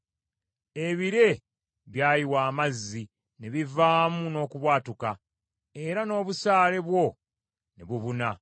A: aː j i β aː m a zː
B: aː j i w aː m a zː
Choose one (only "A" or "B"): B